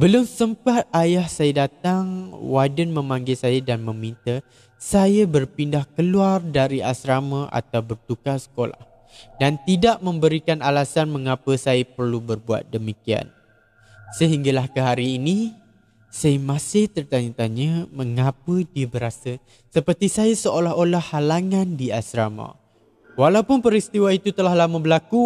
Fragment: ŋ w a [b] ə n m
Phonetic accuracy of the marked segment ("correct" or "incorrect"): incorrect